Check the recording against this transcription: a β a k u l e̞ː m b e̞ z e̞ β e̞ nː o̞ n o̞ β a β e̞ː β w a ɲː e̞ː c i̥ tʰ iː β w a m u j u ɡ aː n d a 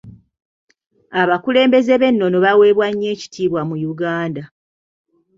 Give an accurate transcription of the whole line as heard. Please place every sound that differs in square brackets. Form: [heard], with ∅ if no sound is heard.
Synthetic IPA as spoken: a β a k u l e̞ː m b e̞ z e̞ β e̞ nː o̞ n o̞ β a [w] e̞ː β w a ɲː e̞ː c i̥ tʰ iː β w a m u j u ɡ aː n d a